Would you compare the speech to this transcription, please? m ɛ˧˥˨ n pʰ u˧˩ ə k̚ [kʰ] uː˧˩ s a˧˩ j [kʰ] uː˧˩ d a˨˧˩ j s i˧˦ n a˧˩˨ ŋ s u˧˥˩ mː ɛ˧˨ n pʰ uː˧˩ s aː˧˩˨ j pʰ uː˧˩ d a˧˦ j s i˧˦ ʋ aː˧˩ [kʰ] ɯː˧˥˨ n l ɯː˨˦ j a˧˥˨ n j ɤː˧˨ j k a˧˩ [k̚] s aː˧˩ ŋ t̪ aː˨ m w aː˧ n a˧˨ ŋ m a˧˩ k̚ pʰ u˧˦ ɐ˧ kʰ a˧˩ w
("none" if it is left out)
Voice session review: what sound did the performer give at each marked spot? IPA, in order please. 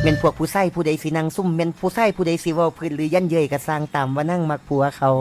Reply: pʰ, pʰ, pʰ, none

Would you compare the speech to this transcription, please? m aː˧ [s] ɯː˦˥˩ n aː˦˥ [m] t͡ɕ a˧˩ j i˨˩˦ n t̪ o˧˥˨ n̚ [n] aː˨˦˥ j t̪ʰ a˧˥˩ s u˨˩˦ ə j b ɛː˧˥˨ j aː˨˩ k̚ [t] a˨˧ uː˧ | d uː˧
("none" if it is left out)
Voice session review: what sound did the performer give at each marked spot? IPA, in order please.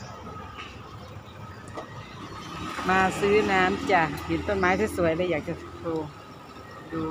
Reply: s, m, m, t͡ɕ

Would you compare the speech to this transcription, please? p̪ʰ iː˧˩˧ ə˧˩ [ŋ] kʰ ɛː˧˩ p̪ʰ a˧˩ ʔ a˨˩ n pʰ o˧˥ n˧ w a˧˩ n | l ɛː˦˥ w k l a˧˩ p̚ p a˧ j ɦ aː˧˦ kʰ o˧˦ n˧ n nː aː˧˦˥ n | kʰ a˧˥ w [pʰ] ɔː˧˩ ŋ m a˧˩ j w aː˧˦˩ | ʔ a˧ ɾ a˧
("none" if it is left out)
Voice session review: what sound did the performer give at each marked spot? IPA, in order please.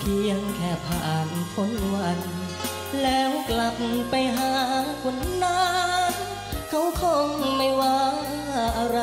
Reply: ŋ, kʰ

